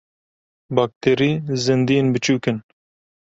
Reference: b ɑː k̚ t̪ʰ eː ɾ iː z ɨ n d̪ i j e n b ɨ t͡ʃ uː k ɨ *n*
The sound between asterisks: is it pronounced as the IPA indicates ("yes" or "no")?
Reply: yes